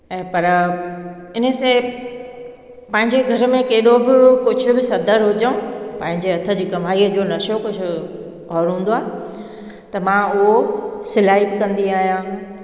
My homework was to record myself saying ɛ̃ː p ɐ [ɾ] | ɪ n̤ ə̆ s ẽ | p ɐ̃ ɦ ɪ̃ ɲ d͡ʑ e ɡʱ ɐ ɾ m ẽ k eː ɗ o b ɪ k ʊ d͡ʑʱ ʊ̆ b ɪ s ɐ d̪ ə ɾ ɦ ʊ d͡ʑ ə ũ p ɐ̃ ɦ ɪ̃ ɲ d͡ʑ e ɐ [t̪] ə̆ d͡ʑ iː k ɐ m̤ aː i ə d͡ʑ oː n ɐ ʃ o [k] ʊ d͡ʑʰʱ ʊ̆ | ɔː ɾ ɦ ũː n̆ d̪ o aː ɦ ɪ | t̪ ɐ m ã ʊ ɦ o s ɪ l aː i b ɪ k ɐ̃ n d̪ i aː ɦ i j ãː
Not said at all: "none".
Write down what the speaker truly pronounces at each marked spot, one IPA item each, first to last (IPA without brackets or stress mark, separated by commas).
ɾ, t̪ʰ, k